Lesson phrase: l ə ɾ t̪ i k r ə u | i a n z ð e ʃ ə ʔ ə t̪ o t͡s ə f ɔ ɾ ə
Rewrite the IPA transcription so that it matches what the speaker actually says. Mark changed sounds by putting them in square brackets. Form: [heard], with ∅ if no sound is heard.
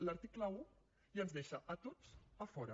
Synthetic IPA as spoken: l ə ɾ t̪ i k [l] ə u | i [ə] n z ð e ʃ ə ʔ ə t̪ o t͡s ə f ɔ ɾ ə